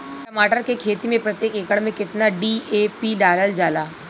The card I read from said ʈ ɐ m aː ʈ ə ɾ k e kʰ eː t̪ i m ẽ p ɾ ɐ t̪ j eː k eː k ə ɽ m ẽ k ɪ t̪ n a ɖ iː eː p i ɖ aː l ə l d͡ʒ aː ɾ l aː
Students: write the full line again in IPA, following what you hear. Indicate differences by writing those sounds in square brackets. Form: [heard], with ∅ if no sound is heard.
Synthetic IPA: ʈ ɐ m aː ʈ ə ɾ k e kʰ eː t̪ i m ẽ p ɾ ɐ t̪ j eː k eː k ə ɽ m ẽ k ɪ t̪ n a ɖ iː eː p i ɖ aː l ə l d͡ʒ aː [∅] l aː